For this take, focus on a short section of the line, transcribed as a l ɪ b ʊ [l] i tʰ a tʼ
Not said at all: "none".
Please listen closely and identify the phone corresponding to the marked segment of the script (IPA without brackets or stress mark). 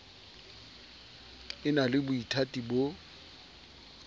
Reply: none